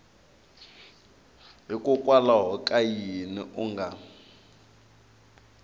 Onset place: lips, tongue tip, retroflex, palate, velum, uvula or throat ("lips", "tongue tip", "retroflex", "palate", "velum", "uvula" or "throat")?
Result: throat